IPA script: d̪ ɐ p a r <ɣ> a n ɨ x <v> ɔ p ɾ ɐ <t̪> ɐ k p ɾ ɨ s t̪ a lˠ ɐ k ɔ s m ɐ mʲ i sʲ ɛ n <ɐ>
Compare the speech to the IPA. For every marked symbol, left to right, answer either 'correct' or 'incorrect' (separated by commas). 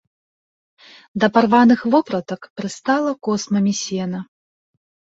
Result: incorrect, correct, correct, correct